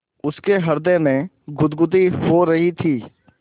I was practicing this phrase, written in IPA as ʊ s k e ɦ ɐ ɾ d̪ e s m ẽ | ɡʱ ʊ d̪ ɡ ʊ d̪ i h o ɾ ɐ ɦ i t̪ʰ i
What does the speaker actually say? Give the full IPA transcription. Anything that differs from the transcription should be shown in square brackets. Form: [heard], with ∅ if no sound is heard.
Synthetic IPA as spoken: ʊ s k e ɦ ɐ ɾ d̪ e [∅] m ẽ | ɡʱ ʊ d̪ ɡ ʊ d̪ i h o ɾ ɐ ɦ i t̪ʰ [iː]